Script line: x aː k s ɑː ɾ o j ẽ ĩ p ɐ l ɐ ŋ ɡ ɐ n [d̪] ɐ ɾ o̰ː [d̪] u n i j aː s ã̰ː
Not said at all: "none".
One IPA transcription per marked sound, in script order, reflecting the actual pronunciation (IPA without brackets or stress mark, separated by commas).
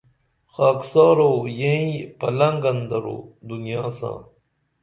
d̪, d̪